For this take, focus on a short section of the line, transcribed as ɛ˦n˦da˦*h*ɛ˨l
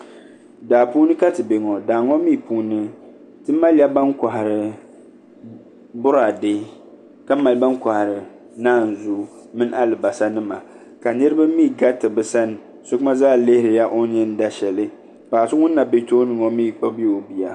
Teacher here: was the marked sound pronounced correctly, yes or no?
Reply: no